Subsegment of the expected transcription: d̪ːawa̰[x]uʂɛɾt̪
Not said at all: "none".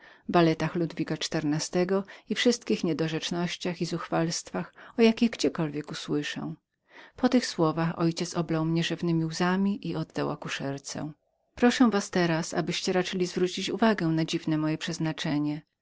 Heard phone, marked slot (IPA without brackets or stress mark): k